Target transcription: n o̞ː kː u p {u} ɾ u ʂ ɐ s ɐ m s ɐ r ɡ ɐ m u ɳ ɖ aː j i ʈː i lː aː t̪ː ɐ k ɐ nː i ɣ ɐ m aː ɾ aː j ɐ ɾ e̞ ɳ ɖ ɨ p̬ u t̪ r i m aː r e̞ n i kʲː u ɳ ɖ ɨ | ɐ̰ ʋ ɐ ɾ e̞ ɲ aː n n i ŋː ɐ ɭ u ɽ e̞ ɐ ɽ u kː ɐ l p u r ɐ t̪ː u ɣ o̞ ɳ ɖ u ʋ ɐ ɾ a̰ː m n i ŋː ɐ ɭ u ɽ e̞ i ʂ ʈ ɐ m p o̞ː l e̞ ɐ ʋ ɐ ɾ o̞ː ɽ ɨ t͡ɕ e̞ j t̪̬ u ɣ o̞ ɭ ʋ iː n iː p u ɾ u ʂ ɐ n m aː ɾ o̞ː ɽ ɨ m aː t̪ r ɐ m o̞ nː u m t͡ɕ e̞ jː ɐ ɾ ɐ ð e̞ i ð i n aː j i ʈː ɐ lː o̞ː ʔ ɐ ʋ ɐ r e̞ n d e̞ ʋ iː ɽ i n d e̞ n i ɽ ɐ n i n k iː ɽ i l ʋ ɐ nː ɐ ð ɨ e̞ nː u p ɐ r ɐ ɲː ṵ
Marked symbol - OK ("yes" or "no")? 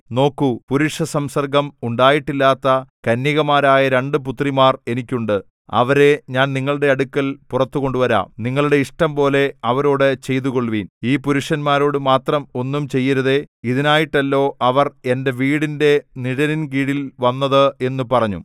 yes